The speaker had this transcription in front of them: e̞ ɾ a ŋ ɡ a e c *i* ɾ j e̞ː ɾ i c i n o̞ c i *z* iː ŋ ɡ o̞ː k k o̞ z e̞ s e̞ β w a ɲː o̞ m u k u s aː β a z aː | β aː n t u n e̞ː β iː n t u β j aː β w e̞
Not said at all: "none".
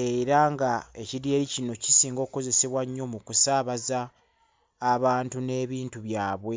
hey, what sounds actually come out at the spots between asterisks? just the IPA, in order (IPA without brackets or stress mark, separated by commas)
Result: i, s